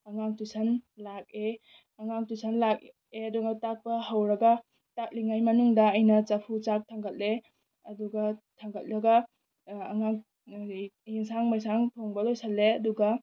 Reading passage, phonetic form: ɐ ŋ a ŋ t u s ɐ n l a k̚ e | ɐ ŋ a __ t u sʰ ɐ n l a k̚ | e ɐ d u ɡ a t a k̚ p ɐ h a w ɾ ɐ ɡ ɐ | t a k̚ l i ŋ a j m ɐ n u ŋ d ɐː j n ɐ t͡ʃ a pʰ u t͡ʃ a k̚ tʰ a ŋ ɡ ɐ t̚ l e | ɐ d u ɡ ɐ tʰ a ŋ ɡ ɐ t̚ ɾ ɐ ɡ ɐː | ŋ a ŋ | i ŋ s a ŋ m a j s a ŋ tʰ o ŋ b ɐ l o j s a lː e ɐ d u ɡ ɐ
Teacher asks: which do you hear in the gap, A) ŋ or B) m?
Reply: A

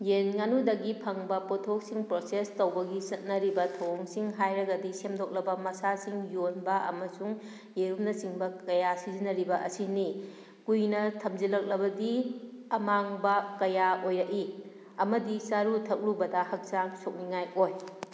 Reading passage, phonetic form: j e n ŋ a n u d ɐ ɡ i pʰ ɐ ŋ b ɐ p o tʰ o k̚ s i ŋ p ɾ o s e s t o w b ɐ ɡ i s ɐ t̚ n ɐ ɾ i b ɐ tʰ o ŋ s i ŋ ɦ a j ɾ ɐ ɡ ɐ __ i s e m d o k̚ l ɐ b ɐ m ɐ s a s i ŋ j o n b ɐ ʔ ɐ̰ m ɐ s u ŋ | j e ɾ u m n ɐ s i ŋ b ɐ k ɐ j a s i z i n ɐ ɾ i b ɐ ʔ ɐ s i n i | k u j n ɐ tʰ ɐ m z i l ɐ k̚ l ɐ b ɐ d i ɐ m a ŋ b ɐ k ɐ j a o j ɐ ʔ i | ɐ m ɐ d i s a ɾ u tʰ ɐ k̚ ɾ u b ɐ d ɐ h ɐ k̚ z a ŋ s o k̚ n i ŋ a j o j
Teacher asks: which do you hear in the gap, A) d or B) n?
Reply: A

